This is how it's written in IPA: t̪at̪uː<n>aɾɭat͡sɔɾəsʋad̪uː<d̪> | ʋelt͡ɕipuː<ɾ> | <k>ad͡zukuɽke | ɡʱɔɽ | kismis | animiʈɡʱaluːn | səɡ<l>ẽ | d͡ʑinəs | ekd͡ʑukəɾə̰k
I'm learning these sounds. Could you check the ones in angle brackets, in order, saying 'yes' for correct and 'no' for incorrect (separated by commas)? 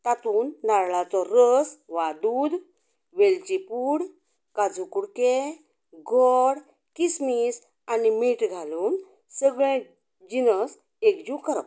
no, yes, no, yes, no